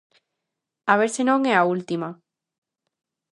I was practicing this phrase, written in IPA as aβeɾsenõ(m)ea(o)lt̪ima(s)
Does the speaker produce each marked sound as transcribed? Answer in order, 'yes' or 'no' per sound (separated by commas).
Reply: no, no, no